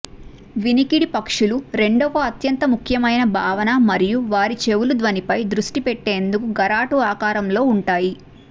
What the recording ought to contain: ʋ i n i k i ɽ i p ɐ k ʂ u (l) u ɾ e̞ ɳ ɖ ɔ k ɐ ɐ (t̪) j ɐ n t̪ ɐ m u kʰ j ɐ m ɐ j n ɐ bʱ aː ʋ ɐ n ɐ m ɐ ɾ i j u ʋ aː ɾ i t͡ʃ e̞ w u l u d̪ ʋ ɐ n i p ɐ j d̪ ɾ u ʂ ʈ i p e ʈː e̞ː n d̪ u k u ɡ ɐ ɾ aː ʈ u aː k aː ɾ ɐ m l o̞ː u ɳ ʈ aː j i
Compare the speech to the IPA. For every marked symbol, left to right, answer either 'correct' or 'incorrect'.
correct, correct

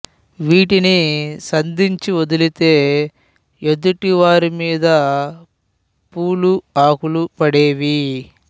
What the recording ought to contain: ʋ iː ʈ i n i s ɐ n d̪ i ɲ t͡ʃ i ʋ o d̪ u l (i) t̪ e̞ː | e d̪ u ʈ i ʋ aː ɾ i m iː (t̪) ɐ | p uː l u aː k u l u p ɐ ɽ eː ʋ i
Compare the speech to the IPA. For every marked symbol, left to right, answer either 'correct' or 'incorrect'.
correct, incorrect: d̪

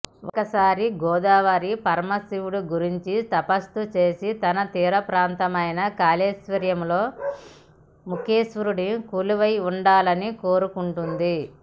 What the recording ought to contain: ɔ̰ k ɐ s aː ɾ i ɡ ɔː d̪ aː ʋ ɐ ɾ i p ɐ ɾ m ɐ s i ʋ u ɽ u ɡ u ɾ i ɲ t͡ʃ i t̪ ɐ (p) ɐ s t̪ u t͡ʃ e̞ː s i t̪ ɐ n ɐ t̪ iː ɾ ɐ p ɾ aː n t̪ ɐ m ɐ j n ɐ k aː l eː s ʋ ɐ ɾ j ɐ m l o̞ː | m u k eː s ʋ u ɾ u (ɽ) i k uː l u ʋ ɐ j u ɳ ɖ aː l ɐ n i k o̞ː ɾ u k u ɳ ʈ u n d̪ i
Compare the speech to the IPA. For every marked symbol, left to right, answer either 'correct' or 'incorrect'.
correct, correct

